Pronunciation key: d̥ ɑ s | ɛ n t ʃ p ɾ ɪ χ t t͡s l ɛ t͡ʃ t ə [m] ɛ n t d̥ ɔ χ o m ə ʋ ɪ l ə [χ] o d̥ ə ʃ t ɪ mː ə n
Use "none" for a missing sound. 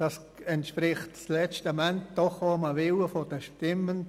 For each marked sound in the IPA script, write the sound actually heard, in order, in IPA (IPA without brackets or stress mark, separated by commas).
m, f